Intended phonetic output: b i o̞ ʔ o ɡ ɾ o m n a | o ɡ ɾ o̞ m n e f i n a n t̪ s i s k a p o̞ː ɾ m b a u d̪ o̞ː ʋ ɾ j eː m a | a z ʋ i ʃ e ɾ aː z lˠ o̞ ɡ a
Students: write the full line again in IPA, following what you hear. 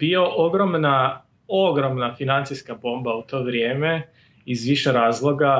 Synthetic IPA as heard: b i o̞ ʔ o ɡ ɾ o m n a | o ɡ ɾ o̞ m n a f i n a n t̪ s i s k a b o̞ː m b a u t̪ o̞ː ʋ ɾ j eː m e | i z ʋ i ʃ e ɾ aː z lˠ o̞ ɡ a